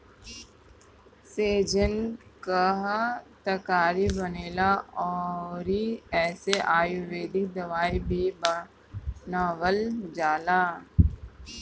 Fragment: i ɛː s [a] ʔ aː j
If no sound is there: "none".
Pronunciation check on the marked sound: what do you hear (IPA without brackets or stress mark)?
e